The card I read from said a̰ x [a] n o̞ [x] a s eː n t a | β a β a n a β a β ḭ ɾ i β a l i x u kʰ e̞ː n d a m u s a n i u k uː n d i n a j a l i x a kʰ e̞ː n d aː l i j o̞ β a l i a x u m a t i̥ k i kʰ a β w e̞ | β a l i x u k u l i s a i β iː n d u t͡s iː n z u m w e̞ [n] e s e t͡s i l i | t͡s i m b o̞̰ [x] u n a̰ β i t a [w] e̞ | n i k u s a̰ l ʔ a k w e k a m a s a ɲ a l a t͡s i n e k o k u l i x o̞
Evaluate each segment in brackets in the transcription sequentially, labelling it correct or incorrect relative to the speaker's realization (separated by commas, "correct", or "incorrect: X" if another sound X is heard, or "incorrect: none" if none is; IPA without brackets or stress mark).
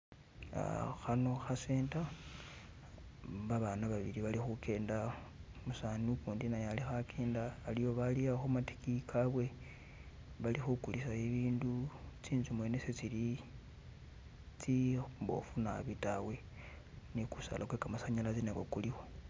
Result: correct, correct, correct, incorrect: f, correct